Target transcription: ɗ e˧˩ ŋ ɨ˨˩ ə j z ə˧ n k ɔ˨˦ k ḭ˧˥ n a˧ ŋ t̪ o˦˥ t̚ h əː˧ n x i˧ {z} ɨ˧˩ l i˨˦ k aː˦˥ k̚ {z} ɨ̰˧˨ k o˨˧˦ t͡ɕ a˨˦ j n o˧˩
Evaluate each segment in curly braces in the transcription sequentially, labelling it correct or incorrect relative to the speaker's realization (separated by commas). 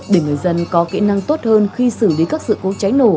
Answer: incorrect, incorrect